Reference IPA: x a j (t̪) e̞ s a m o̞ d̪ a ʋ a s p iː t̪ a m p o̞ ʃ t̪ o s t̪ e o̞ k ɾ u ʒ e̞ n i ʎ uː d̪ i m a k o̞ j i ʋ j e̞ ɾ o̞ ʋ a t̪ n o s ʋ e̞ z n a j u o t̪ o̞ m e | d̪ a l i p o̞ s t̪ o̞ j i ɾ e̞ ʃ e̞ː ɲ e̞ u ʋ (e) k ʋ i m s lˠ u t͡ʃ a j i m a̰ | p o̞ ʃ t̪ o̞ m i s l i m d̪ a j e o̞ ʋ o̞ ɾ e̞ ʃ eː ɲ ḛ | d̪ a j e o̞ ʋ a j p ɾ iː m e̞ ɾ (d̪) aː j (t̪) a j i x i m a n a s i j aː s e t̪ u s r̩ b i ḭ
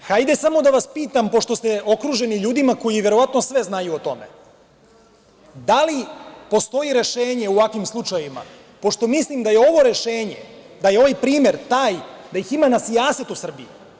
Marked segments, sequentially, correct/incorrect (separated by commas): incorrect, incorrect, incorrect, incorrect